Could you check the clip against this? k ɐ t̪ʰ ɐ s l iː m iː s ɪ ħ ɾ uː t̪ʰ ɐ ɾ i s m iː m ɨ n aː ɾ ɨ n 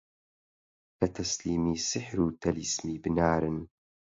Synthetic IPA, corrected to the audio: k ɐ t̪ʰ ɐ s l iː m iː s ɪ ħ ɾ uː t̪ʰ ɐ l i s m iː b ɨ n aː ɾ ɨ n